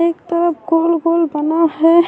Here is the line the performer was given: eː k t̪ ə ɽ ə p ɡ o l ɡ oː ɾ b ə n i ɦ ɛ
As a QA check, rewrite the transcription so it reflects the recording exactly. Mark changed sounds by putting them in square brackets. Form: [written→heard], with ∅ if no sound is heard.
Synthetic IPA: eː k t̪ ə [ɽ→ɾ] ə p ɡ o l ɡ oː [ɾ→l] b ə n [i→a] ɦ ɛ

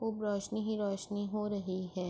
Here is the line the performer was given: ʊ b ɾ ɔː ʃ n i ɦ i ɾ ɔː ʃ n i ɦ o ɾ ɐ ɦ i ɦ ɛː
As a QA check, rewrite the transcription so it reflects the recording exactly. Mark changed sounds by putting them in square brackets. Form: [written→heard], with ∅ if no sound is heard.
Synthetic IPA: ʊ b ɾ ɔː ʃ n i ɦ i ɾ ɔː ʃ n i ɦ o ɾ ɐ ɦ i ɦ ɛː

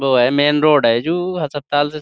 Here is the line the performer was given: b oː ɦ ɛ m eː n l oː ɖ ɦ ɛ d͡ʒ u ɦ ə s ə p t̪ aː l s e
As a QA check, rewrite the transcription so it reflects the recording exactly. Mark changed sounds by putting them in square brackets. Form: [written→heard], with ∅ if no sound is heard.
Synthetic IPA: b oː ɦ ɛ m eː n [l→ɾ] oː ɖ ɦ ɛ d͡ʒ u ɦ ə s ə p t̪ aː l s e

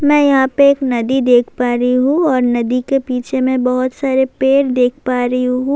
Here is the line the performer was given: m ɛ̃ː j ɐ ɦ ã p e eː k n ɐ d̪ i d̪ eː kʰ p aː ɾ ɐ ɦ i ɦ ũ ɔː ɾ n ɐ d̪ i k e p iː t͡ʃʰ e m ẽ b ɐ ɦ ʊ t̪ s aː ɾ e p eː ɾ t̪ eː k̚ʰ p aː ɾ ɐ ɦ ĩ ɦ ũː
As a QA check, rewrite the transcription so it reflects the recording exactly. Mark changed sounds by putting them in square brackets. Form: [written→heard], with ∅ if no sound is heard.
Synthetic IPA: m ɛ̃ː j ɐ ɦ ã p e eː k n ɐ d̪ i d̪ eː kʰ p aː ɾ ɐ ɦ i ɦ ũ ɔː ɾ n ɐ d̪ i k e p iː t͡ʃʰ e m ẽ b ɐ ɦ ʊ t̪ s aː ɾ e p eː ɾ [t̪→d̪] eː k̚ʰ p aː ɾ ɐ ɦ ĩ ɦ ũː

